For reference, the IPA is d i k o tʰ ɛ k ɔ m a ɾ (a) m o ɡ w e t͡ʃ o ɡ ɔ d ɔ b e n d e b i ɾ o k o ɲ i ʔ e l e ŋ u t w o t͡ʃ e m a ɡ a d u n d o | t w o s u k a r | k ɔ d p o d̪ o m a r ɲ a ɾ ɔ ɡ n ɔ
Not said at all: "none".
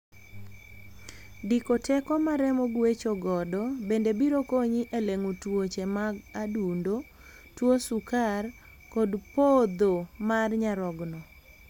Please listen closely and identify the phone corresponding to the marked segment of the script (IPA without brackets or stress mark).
ɛ